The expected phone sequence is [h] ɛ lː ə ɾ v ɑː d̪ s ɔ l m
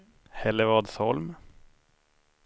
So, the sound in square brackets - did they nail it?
yes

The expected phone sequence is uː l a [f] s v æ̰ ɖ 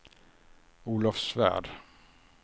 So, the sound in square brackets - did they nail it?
yes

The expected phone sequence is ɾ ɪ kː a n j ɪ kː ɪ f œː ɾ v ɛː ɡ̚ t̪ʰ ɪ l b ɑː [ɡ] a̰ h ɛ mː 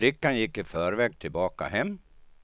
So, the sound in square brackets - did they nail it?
no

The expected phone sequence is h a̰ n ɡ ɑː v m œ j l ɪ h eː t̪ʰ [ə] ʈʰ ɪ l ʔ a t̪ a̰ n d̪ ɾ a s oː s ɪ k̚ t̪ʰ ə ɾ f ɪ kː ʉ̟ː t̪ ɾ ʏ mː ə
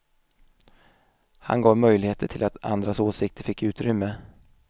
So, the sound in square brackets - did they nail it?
yes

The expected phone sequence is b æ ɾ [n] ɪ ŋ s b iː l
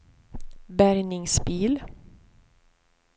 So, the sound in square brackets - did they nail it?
yes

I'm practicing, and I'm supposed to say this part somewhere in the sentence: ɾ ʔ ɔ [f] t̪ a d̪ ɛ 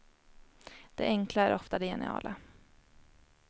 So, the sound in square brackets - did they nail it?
yes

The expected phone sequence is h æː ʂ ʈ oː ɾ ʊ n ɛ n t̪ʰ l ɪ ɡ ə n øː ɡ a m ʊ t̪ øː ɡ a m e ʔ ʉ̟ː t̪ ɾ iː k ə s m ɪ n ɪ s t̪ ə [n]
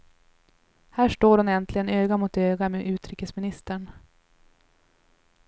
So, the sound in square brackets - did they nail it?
no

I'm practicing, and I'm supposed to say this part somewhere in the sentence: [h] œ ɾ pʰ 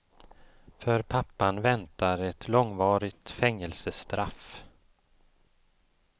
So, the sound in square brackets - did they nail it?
no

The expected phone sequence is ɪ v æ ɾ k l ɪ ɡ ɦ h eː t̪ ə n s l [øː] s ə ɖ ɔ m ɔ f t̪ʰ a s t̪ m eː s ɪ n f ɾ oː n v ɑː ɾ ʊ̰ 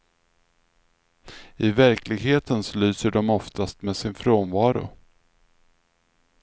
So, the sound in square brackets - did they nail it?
no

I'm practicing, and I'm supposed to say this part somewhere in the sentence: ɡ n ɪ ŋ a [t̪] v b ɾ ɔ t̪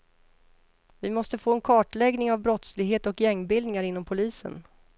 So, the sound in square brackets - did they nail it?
no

